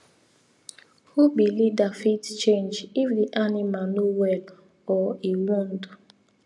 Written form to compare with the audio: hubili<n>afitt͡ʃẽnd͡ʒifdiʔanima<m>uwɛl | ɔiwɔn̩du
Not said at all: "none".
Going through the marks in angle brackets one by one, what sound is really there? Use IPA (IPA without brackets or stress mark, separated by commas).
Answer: d, n